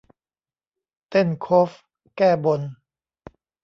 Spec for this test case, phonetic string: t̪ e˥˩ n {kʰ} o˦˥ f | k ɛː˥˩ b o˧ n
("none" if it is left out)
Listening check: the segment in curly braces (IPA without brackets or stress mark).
kʰ